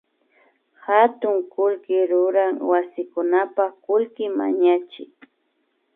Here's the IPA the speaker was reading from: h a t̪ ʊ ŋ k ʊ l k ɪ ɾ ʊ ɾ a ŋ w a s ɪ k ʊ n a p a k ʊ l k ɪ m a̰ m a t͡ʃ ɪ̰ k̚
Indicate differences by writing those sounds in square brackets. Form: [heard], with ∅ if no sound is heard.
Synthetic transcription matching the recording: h a t̪ ʊ ŋ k ʊ l k ɪ ɾ ʊ ɾ a ŋ w a s ɪ k ʊ n a p a k ʊ l k ɪ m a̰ [ɲ] a t͡ʃ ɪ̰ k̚